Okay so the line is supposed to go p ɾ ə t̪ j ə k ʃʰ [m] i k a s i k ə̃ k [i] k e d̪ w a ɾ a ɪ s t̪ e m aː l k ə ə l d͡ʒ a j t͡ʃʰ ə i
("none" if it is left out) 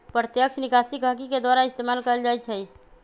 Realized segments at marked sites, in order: n, i

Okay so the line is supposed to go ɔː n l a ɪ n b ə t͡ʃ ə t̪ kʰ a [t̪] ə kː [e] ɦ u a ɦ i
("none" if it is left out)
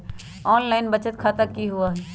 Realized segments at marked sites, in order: t̪, i

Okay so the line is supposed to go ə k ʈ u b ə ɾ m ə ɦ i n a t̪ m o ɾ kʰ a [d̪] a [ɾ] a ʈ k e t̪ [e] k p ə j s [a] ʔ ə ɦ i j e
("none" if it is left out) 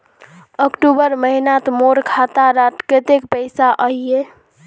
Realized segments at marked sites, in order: t̪, ɾ, e, a

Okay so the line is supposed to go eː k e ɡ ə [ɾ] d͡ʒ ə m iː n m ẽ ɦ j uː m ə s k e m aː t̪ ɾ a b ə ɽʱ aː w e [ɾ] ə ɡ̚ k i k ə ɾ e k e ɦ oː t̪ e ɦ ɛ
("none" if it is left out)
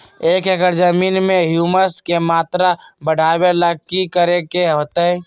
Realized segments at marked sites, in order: ɾ, l

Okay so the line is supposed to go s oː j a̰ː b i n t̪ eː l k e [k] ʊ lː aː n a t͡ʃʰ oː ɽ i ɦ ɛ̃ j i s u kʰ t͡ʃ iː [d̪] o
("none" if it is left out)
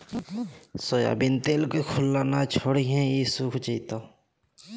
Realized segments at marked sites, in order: kʰ, t̪

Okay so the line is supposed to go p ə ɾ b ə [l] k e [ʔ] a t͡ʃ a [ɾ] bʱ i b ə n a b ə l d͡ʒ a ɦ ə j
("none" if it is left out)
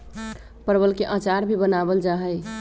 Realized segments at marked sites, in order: l, ʔ, ɾ

